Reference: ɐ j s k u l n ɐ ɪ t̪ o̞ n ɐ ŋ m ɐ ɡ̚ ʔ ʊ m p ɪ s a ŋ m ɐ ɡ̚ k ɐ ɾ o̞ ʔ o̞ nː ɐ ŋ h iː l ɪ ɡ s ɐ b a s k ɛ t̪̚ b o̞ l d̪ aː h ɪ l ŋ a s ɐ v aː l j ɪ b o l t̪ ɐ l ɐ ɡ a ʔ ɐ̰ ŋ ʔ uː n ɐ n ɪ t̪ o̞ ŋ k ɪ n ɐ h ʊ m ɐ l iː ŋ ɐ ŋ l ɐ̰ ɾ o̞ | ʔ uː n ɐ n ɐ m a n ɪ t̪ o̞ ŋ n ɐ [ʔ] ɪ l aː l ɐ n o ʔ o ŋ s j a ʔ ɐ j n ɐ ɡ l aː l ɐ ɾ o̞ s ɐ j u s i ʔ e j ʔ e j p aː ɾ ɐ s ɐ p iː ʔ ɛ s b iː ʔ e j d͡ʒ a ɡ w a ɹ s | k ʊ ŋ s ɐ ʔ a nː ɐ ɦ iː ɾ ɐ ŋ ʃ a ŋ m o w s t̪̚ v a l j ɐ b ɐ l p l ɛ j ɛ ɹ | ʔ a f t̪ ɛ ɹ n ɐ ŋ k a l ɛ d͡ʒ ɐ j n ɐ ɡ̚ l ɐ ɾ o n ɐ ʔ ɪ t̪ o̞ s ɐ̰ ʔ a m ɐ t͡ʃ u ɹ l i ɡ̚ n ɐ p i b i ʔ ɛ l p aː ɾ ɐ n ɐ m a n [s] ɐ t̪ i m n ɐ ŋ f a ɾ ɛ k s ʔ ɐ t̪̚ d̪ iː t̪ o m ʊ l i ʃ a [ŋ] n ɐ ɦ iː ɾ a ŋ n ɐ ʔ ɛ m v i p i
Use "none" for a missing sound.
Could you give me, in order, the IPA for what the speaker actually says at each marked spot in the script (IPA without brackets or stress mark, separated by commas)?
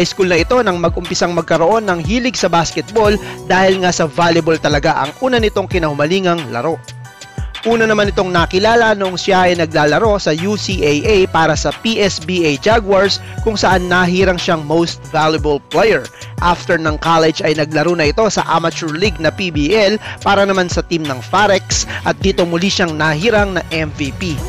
k, s, ŋ